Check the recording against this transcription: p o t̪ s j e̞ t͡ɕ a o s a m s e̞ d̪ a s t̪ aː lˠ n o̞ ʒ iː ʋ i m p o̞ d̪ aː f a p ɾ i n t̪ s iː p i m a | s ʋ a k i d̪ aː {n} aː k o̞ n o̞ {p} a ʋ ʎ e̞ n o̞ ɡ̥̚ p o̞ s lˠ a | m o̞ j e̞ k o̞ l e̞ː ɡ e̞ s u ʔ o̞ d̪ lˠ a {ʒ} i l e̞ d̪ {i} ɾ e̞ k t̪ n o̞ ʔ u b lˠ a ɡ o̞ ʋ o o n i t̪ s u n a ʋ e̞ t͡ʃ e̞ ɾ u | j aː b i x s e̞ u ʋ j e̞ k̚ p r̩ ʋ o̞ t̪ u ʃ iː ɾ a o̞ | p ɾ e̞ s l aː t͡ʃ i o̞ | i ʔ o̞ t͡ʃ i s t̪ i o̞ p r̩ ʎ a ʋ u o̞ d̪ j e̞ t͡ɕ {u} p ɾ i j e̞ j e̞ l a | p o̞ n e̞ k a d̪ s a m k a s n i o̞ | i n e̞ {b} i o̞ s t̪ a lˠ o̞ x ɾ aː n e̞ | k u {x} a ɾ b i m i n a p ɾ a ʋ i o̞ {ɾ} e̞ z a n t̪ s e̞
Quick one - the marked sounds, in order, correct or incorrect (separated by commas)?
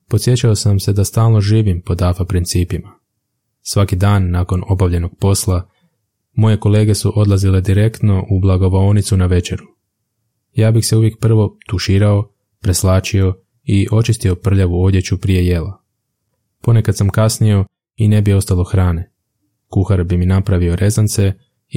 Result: incorrect, incorrect, incorrect, correct, correct, correct, correct, correct